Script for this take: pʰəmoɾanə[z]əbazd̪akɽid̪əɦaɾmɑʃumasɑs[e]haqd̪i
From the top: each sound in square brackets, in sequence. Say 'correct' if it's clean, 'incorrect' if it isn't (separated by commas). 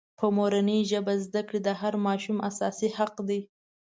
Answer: incorrect, incorrect